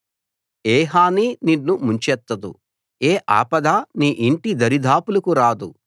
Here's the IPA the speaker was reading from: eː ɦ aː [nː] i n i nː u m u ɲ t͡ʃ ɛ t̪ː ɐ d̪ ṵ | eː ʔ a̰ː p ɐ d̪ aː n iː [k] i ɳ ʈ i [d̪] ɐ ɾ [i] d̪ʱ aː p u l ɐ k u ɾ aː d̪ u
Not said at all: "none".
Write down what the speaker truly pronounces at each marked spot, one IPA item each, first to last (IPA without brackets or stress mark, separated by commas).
n, ʔ, d̪, i